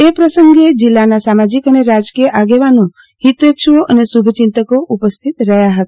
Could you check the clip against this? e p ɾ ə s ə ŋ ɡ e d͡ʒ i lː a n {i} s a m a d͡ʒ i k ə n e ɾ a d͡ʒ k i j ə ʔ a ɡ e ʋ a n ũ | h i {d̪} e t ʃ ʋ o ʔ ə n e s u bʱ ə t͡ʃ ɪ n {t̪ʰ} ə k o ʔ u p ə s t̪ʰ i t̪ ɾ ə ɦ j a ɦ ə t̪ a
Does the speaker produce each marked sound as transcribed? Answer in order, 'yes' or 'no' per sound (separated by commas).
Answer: no, no, no